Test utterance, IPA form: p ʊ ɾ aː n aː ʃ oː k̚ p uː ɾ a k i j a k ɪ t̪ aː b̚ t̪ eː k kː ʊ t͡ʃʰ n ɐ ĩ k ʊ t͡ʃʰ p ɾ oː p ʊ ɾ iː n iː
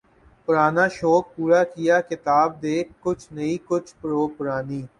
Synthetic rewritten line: p ʊ ɾ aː n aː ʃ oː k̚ p uː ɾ a k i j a k ɪ t̪ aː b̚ d̪ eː k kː ʊ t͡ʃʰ n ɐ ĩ k ʊ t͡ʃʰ p ɾ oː p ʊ ɾ aː n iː